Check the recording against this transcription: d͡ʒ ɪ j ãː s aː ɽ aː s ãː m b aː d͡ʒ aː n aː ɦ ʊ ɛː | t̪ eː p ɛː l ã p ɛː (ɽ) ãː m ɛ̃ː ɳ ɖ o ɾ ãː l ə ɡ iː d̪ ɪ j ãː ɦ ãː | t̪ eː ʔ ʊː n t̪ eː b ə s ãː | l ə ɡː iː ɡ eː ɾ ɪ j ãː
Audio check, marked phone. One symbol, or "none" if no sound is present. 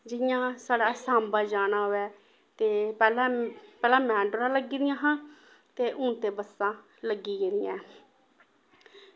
l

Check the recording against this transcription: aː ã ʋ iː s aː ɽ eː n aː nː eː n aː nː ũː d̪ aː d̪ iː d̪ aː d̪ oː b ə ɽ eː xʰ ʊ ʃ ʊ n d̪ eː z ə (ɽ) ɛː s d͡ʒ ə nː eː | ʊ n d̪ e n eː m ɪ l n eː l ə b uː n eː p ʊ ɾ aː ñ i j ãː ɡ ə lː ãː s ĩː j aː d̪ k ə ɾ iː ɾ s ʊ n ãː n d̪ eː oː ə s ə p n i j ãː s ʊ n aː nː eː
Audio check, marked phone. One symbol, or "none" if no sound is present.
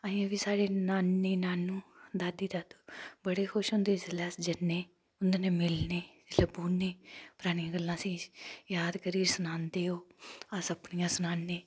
l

